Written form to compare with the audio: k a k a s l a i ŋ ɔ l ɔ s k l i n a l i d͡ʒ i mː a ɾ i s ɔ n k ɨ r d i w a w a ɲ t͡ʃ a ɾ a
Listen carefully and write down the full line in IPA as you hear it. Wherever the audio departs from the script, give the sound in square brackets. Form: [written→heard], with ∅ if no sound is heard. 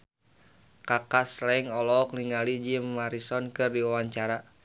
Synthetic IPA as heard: k a k a s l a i ŋ ɔ l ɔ [s→∅] k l i [n→ŋ] a l i d͡ʒ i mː a ɾ i s ɔ n k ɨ r d i w a w a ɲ t͡ʃ a ɾ a

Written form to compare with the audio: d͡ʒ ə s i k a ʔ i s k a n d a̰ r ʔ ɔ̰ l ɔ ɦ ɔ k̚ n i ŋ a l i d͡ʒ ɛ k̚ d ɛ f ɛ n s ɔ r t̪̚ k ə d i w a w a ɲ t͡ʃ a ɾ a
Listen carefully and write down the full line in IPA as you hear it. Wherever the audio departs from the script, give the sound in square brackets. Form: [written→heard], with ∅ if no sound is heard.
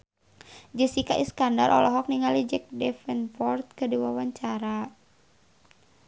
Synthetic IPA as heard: d͡ʒ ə s i k a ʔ i s k a n d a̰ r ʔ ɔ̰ l ɔ ɦ ɔ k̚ n i ŋ a l i d͡ʒ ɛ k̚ d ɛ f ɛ n [s→f] ɔ r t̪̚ k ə d i w a w a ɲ t͡ʃ a ɾ a

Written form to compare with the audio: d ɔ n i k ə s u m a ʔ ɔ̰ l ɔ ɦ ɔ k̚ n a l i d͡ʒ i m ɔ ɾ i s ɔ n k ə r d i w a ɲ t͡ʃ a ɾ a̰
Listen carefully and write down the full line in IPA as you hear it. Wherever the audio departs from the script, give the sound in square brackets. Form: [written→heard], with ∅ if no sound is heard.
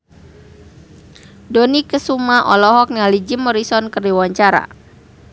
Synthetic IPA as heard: d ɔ n i k ə s u m a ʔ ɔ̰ l ɔ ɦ ɔ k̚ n a l i d͡ʒ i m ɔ ɾ i s ɔ n k ə r d i w a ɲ t͡ʃ a ɾ a̰

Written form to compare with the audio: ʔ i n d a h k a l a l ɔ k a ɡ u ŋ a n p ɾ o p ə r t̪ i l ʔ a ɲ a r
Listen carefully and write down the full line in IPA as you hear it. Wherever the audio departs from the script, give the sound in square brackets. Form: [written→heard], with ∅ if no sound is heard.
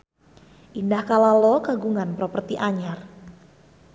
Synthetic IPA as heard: ʔ i n d a h k a l a l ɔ k a ɡ u ŋ a n p ɾ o p ə r t̪ i [l→∅] ʔ a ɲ a r

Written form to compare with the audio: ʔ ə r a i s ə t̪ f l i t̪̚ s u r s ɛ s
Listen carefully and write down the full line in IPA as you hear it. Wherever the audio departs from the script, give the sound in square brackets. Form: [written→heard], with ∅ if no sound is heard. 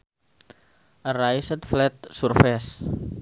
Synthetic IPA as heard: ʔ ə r a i s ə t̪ f l [i→ɛ] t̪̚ s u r [s→f] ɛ s

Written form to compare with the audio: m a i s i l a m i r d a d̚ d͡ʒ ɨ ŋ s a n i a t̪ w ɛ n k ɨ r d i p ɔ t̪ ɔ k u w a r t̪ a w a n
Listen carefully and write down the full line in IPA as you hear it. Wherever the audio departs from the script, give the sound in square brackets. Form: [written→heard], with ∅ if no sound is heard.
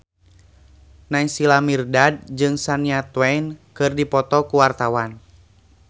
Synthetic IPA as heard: [m→n] a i s i l a m i r d a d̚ d͡ʒ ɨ ŋ s a n i a t̪ w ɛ n k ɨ r d i p ɔ t̪ ɔ k u w a r t̪ a w a n

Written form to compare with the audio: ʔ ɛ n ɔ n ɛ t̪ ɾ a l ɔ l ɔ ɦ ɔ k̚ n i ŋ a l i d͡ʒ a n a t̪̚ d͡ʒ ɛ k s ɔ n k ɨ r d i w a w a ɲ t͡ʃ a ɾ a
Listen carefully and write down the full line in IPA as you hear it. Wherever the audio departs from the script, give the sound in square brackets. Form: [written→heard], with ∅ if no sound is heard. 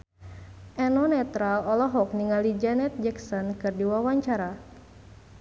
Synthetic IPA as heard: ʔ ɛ n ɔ n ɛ t̪ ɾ a l ɔ l ɔ ɦ ɔ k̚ n i ŋ a l i d͡ʒ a n [a→ɛ] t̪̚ d͡ʒ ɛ k s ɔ n k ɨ r d i w a w a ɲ t͡ʃ a ɾ a

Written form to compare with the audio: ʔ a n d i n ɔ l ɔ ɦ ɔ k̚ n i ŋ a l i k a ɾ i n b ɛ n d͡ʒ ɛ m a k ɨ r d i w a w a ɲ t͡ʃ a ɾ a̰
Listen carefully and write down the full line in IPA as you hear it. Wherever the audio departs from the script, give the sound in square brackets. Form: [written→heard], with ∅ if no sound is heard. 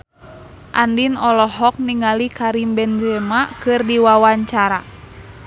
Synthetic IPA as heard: ʔ a n d i n ɔ l ɔ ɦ ɔ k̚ n i ŋ a l i k a ɾ i [n→m] b ɛ n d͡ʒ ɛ m a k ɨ r d i w a w a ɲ t͡ʃ a ɾ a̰

